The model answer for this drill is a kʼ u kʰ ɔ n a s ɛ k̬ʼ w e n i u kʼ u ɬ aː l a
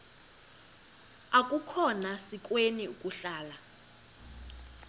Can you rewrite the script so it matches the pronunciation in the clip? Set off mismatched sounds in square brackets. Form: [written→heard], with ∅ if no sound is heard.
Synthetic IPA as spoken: a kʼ u kʰ ɔ n a s [ɛ→i] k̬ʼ w e n i u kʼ u ɬ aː l a